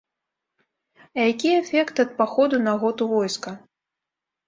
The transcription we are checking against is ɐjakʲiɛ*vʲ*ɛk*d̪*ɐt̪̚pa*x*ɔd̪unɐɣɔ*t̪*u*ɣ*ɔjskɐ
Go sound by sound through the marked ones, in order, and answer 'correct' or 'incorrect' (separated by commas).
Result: incorrect, incorrect, correct, correct, incorrect